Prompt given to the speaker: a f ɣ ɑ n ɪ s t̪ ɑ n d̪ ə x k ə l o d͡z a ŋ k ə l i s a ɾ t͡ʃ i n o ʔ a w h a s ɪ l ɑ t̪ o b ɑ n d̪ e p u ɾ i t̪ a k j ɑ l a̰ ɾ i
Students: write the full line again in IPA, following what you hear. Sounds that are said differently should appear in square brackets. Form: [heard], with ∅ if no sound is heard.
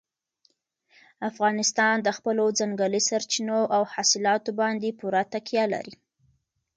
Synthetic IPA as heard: a f ɣ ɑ n ɪ s t̪ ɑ n d̪ ə x [p] ə l o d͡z a ŋ [ɡ] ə l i s a ɾ t͡ʃ i n o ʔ a w h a s ɪ l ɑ t̪ o b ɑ n d̪ e p u ɾ [a] t̪ a k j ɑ l a̰ ɾ i